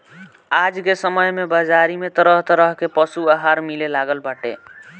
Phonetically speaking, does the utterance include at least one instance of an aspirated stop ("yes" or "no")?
no